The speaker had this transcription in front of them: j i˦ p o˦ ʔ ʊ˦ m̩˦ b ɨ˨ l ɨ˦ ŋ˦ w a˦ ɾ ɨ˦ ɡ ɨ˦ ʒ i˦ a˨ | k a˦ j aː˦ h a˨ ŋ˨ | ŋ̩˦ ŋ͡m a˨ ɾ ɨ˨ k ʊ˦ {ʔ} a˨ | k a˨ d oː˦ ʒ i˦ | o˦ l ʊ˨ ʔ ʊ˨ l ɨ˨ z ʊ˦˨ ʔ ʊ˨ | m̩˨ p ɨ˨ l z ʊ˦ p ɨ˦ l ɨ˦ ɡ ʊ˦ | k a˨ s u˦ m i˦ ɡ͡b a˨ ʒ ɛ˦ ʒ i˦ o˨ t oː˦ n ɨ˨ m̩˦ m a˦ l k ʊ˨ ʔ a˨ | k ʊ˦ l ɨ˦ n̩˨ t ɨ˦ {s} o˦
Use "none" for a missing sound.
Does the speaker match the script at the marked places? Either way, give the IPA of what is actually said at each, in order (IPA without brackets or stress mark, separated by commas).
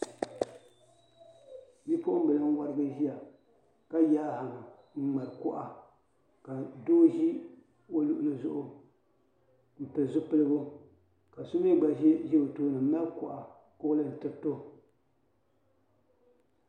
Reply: ʔ, t